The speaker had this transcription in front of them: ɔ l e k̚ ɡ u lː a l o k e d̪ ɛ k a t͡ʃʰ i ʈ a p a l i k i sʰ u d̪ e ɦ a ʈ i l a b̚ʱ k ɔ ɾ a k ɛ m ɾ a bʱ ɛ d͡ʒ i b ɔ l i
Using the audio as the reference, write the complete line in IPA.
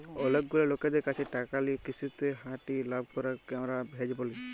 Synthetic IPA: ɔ l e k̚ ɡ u l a l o k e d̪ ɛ k a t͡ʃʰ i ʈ a k a l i k i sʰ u t̪ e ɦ a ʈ i l a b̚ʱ k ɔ ɾ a k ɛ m ɾ a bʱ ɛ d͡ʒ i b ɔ l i